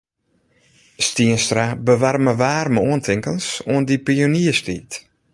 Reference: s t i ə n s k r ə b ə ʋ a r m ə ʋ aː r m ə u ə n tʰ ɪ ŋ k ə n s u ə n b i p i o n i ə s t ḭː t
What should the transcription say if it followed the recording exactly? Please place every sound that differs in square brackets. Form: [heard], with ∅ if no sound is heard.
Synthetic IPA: s t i ə n s [t] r [a] b ə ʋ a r m ə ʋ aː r m ə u ə n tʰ ɪ ŋ k ə n s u ə n [d] i p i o n i ə s t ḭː t